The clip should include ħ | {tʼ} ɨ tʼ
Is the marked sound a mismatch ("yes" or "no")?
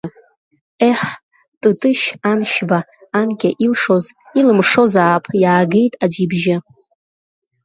no